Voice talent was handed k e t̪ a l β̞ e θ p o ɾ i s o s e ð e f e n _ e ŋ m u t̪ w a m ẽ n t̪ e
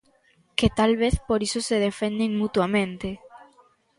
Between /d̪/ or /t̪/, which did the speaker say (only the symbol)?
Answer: d̪